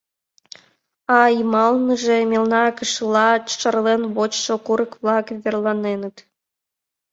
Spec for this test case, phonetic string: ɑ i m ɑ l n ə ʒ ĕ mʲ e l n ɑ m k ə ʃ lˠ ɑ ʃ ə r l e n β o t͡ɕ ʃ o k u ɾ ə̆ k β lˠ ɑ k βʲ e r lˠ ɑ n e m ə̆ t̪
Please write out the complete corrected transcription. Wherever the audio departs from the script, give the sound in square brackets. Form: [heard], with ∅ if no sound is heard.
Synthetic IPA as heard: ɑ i m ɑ l n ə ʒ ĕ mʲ e l n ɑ [∅] k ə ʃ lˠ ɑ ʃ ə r l e n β o t͡ɕ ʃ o k u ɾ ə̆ k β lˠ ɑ k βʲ e r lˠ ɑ n e [n] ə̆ t̪